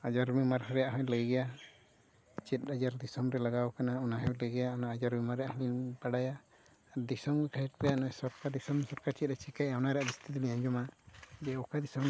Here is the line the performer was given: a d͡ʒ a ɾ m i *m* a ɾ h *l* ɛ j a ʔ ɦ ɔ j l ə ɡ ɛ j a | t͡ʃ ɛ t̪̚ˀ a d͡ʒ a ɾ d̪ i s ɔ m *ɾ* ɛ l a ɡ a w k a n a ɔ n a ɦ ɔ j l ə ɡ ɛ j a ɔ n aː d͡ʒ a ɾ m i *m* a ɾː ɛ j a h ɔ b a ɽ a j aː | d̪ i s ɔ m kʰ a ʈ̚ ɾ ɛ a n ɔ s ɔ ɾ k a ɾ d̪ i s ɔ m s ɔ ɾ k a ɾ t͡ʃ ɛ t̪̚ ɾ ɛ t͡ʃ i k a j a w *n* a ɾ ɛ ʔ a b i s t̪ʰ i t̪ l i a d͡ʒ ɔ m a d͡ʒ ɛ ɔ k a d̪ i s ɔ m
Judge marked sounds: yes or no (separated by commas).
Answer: yes, no, yes, yes, yes